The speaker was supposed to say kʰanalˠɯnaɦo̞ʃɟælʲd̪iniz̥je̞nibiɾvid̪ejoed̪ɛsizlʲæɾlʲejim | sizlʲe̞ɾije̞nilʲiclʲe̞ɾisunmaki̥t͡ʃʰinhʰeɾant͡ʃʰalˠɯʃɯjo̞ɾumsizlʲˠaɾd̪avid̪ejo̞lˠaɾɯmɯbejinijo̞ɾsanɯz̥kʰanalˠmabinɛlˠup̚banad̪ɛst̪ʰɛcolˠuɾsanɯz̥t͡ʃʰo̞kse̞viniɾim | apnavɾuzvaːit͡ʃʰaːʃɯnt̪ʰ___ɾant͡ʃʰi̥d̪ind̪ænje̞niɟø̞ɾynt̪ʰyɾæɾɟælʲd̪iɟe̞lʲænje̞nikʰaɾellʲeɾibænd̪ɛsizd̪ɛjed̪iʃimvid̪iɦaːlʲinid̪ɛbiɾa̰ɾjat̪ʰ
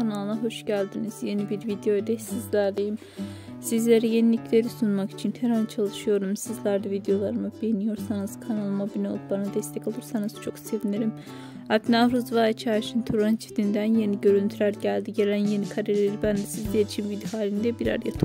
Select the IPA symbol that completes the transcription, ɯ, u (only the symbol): u